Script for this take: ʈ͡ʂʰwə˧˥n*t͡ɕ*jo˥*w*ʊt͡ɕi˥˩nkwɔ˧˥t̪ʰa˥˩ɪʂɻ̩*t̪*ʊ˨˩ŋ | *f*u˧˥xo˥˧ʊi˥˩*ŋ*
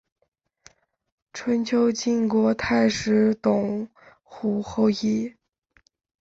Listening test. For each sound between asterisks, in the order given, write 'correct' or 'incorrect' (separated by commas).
incorrect, incorrect, correct, incorrect, incorrect